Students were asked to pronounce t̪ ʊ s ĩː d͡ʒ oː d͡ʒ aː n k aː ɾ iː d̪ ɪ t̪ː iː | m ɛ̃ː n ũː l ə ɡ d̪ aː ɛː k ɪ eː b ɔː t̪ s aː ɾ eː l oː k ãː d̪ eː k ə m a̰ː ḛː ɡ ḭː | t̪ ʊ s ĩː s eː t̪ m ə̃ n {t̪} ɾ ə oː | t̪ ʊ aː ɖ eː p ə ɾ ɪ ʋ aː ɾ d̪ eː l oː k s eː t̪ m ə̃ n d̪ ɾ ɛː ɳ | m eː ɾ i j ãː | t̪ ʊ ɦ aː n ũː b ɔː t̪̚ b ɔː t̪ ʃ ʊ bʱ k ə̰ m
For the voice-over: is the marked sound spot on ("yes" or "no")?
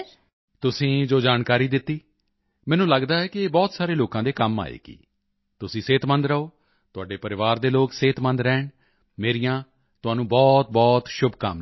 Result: no